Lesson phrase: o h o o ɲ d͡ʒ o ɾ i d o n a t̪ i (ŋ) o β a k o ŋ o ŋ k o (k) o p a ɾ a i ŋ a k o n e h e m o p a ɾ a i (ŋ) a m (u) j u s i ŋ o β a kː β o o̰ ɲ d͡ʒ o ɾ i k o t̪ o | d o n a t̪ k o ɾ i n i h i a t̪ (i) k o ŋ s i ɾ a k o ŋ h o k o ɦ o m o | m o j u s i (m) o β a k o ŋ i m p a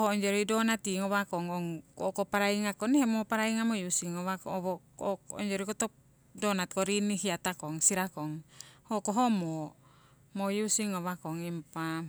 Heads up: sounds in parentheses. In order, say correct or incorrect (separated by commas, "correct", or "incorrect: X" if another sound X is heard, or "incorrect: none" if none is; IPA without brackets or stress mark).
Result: correct, correct, correct, incorrect: o, incorrect: a, incorrect: ŋ